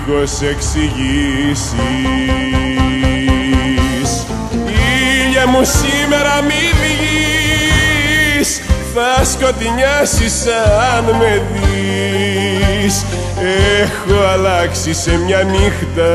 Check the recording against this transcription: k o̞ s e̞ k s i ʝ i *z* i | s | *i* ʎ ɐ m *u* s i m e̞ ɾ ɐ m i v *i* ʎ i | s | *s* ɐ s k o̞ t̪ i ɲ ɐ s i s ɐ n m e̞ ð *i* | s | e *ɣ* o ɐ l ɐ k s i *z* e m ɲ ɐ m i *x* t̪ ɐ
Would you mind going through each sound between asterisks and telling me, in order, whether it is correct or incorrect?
incorrect: s, correct, correct, correct, incorrect: θ, correct, incorrect: x, incorrect: s, correct

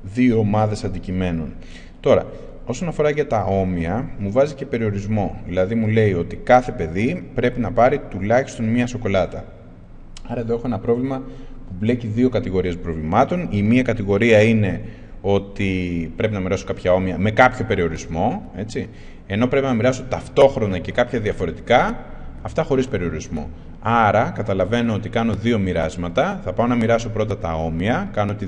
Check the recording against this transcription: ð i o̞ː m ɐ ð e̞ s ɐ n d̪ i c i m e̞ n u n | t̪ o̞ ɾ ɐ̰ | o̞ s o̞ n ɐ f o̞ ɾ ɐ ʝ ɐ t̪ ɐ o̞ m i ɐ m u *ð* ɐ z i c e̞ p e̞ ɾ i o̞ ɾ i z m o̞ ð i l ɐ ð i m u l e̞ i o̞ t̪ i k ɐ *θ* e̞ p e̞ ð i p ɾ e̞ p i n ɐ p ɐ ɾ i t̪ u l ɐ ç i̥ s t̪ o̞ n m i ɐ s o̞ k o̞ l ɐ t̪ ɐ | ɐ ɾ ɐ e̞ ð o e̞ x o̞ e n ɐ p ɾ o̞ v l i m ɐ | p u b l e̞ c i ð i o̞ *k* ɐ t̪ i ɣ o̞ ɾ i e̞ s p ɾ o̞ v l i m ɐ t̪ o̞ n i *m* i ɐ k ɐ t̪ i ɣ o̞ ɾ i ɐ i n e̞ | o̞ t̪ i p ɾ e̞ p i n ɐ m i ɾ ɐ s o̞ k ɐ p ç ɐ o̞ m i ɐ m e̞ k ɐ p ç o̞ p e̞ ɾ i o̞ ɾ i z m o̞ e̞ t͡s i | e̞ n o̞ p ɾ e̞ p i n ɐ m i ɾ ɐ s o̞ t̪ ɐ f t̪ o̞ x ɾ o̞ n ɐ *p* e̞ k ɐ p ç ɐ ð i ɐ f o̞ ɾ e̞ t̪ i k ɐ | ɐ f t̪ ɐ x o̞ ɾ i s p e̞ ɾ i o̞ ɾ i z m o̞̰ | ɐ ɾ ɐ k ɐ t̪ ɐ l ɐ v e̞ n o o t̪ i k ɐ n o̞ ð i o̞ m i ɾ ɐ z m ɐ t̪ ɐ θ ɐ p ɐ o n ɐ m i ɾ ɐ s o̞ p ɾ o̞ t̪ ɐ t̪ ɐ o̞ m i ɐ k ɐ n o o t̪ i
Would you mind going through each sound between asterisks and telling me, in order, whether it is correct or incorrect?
incorrect: v, correct, correct, correct, incorrect: c

